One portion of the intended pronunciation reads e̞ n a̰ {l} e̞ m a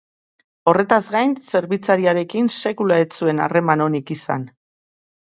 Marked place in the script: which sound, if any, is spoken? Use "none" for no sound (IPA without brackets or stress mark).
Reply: r